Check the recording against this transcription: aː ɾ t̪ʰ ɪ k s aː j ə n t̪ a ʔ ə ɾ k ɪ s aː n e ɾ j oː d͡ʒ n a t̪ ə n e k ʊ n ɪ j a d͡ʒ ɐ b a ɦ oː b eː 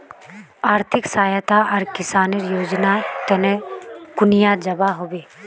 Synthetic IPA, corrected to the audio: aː ɾ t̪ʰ ɪ k s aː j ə t̪ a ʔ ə ɾ k ɪ s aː n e ɾ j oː d͡ʒ n a t̪ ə n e k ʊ n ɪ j a d͡ʒ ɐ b a ɦ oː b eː